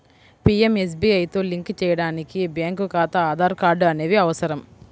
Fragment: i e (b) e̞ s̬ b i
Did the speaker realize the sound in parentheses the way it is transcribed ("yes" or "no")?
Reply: no